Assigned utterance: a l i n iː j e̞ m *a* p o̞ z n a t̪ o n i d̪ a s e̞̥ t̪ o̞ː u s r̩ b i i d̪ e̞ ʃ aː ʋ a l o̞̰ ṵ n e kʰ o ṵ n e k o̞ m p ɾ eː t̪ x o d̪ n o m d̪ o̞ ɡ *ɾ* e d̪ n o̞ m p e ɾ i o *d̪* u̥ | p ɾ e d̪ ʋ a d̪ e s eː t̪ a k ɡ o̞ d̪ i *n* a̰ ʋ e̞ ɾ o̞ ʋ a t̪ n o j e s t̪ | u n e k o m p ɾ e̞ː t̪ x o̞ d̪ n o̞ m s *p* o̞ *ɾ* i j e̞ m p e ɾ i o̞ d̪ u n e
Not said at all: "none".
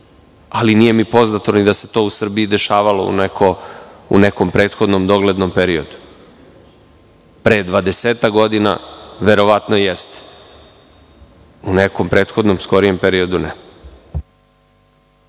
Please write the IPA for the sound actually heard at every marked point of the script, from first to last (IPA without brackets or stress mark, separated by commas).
i, l, d̪, n, k, ɾ